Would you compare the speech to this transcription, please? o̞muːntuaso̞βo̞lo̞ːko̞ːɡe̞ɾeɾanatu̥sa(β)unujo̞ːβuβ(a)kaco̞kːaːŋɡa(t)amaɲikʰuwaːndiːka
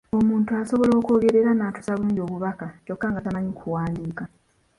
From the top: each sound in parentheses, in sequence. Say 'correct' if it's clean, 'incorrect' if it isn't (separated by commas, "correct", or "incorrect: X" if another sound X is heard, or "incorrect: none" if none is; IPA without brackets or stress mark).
correct, correct, correct